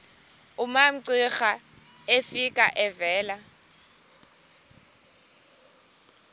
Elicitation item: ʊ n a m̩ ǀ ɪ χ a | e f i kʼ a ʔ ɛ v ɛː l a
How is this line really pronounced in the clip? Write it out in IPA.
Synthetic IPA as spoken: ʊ m a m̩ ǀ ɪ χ a | e f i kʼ a ʔ ɛ v ɛː l a